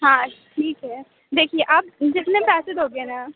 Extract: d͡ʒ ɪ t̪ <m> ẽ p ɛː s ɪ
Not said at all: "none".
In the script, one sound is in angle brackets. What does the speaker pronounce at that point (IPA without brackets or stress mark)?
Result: n